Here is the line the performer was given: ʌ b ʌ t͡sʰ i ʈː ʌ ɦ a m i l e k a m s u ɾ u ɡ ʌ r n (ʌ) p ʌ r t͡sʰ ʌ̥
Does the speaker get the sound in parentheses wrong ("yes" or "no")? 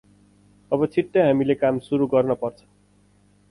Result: no